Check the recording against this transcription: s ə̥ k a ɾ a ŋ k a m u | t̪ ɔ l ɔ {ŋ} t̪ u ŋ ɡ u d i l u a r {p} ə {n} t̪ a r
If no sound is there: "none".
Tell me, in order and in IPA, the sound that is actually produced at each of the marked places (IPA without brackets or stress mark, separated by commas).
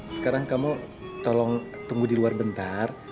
ŋ, b, n